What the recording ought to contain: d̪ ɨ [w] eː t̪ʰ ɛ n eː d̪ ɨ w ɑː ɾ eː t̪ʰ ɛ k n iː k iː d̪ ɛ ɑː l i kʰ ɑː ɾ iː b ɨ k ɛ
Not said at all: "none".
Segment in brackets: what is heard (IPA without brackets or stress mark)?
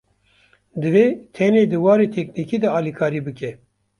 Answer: v